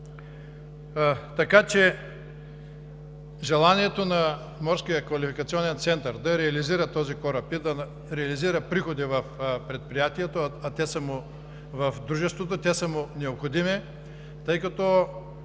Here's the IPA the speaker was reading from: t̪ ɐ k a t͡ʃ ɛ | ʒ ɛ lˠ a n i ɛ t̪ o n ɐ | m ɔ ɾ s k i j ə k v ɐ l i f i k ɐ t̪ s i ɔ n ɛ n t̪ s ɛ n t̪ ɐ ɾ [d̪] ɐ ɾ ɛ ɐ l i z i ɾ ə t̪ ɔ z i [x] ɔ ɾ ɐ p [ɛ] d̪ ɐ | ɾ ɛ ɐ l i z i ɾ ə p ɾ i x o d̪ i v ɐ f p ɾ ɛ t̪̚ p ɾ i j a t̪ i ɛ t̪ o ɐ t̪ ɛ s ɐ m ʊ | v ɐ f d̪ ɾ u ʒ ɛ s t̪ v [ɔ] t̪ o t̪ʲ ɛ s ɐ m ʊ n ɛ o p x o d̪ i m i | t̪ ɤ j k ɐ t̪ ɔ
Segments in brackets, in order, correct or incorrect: correct, incorrect: k, incorrect: i, incorrect: o

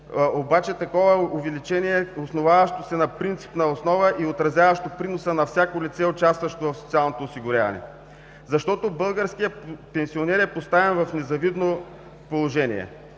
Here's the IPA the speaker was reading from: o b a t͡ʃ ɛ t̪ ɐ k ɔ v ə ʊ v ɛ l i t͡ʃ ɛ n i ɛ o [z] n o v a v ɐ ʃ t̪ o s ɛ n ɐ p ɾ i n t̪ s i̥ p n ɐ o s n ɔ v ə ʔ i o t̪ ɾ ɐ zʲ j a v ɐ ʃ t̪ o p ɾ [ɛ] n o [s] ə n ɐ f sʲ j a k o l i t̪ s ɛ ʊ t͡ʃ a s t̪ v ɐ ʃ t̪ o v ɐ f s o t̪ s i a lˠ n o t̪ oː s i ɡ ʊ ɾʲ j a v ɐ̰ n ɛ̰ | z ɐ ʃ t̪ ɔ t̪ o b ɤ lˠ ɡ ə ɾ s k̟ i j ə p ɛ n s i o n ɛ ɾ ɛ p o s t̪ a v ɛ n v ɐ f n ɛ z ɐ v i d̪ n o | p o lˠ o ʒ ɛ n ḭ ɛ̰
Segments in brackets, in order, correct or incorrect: incorrect: s, incorrect: i, correct

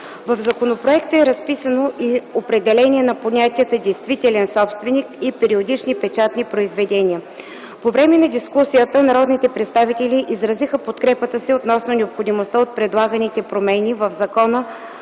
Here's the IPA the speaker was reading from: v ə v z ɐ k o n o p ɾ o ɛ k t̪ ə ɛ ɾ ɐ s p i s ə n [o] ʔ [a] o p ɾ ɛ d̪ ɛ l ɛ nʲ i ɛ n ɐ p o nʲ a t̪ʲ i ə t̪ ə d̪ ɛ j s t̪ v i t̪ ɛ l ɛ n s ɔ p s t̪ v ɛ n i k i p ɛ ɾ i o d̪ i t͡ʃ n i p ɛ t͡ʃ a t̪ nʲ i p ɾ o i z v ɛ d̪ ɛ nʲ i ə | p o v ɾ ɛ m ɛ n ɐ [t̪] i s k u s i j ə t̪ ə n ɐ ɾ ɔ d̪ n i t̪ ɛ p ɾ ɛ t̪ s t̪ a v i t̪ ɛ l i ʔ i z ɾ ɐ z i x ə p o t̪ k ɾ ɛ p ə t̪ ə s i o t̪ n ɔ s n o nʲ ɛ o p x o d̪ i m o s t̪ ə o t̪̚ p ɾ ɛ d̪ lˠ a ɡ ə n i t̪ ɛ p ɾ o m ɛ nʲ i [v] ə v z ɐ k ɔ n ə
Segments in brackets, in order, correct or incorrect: correct, incorrect: i, incorrect: d̪, correct

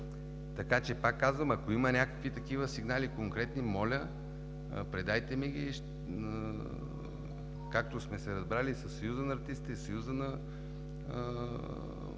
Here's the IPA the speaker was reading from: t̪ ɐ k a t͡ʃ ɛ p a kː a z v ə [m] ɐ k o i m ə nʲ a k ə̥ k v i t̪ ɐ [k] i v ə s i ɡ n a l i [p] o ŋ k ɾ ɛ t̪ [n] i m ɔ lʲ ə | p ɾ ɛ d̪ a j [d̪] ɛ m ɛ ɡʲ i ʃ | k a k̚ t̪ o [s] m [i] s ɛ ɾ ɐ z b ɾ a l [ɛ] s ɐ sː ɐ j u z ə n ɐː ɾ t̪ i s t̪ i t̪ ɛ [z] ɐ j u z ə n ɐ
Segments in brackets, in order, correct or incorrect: correct, correct, incorrect: k, correct, incorrect: t̪, correct, incorrect: ɛ, incorrect: i, incorrect: s

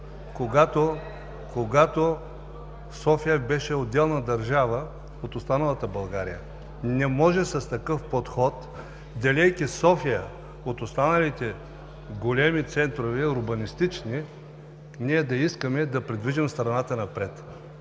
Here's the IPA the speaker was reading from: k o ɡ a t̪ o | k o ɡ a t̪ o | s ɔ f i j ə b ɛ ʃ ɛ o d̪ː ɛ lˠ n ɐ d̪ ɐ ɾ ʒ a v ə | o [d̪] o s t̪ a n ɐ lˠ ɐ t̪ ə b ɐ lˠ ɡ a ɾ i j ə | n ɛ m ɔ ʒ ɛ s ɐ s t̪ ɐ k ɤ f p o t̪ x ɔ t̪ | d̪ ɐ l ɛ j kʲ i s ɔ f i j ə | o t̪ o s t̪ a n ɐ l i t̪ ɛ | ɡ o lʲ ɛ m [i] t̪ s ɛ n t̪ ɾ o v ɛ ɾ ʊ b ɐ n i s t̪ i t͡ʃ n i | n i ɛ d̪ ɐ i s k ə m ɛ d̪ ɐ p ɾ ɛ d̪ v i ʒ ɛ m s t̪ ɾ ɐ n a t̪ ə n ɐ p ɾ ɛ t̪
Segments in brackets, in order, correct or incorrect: incorrect: t̪, correct

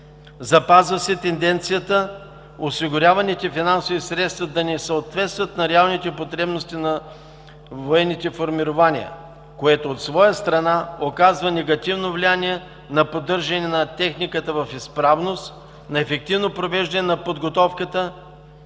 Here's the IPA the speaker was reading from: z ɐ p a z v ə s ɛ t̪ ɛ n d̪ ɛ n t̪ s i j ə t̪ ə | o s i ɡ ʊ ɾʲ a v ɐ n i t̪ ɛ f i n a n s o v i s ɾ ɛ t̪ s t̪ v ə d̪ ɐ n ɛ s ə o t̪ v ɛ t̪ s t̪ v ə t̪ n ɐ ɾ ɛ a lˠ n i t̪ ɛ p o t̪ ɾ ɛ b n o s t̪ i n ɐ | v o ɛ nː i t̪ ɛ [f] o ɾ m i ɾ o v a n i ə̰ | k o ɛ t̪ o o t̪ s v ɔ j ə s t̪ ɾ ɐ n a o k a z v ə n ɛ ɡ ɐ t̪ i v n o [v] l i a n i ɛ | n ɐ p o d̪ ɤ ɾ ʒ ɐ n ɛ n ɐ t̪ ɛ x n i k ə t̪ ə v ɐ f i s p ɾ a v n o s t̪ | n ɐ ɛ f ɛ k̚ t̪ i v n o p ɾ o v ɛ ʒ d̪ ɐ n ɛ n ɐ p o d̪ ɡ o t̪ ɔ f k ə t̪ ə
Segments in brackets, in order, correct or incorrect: correct, correct

